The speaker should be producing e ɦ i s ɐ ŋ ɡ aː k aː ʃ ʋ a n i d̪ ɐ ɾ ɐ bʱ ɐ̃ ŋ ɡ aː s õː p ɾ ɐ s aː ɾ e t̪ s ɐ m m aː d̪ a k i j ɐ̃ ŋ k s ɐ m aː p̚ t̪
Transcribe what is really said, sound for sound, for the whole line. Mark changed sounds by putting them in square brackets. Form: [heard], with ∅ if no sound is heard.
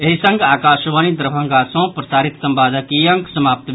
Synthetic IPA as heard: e ɦ i s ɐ ŋ ɡ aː k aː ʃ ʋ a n i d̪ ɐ ɾ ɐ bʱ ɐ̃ ŋ ɡ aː s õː p ɾ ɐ s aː ɾ [i] t̪ s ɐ m [b] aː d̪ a k i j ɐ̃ ŋ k s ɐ m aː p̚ t̪